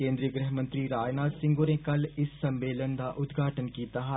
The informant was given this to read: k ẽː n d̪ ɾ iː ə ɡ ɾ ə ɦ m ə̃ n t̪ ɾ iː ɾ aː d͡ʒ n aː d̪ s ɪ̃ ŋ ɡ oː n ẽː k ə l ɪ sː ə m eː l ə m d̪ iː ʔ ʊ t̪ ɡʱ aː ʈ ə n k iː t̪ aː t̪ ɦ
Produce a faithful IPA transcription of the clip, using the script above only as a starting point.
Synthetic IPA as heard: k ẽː n d̪ ɾ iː ə ɡ ɾ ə ɦ m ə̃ n t̪ ɾ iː ɾ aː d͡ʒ n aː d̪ s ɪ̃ ŋ ɡ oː n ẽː k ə l ɪ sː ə m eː l ə n d̪ aː ʔ ʊ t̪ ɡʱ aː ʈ ə n k iː t̪ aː ɦ